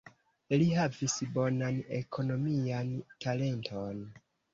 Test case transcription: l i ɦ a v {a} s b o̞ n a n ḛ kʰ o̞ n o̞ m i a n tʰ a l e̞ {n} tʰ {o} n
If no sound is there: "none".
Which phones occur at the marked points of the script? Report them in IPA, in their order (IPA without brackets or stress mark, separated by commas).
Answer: i, n, o